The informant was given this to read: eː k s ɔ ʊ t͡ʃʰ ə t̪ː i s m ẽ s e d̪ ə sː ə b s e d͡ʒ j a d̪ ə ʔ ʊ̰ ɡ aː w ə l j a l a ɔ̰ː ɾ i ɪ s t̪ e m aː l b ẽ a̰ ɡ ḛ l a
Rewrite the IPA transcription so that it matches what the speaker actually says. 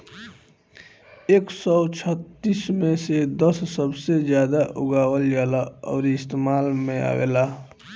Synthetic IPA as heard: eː k s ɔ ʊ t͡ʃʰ ə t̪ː i s m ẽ s e d̪ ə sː ə b s e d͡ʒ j a d̪ a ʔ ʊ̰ ɡ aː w ə l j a l a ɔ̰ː ɾ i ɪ s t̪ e m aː l m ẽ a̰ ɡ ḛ l a

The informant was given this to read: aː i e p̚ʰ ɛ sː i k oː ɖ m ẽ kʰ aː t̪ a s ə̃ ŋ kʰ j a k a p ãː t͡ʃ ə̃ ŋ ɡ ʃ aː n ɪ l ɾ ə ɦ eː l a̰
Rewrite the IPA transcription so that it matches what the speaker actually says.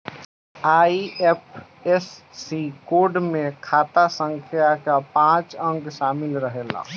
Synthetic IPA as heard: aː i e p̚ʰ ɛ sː i k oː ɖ m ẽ kʰ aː t̪ a s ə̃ ŋ kʰ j a k a p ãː t͡ʃ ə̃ ŋ ɡ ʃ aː m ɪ l ɾ ə ɦ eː l a̰

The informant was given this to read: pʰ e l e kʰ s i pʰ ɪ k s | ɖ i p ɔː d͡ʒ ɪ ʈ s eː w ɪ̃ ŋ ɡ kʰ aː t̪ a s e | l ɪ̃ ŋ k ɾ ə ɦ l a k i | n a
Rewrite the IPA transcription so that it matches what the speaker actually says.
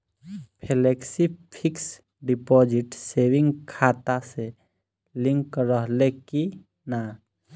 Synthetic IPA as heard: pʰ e l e k s i pʰ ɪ k s | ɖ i p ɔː d͡ʒ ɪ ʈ s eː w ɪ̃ ŋ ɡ kʰ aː t̪ a s e | l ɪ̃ ŋ k ɾ ə ɦ l e k i | n a

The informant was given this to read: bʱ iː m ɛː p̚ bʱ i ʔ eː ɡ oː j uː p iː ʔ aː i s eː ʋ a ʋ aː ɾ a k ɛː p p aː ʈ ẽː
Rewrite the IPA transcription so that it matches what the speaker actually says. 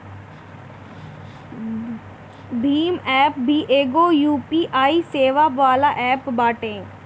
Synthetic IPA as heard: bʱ iː m ɛː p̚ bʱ i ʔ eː ɡ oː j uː p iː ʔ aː i s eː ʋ a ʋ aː l a ʔ ɛː p b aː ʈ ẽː

